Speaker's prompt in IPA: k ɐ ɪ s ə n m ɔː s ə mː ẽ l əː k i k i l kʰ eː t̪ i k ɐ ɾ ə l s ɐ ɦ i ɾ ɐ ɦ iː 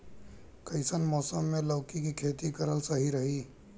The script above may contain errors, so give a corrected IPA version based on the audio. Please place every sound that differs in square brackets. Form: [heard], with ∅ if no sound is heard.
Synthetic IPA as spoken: k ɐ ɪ s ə n m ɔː s ə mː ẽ l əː k i k i [∅] kʰ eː t̪ i k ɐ ɾ ə l s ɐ ɦ i ɾ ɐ ɦ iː